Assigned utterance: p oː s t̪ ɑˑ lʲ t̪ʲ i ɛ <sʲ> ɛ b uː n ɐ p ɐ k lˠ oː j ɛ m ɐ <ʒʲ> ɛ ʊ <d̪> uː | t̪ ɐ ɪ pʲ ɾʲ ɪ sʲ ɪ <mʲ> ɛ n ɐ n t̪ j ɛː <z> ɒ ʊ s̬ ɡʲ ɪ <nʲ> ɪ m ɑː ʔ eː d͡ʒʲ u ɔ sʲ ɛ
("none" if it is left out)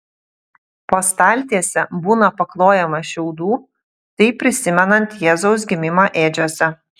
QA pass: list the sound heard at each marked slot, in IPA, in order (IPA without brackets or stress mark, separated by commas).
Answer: sʲ, ʃʲ, d̪, mʲ, z, mʲ